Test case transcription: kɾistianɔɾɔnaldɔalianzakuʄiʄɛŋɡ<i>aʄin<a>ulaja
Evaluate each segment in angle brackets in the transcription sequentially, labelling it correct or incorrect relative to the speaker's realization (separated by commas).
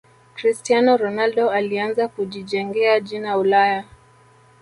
incorrect, correct